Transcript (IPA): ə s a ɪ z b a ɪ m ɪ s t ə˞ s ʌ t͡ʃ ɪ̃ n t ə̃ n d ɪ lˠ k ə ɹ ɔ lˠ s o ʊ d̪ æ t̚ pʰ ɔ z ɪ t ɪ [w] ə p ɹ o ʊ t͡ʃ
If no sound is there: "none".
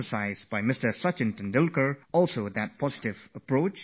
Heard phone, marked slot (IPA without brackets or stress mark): v